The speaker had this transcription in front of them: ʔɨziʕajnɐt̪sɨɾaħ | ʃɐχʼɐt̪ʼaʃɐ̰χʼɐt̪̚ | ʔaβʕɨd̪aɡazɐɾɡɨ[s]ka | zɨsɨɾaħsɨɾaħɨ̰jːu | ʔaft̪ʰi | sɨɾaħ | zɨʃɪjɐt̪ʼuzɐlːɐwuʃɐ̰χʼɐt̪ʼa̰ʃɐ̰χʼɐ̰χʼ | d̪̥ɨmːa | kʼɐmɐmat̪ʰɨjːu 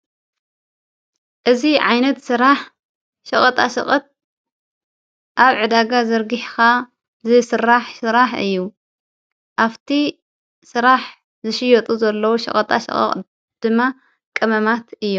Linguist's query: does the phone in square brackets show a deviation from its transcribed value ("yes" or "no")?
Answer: yes